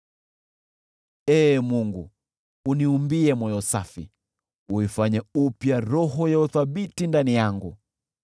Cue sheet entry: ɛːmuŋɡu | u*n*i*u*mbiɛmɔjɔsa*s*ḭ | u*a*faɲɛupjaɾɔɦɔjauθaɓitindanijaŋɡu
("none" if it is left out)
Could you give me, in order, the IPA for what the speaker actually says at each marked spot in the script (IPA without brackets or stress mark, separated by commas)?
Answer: n, u, f, i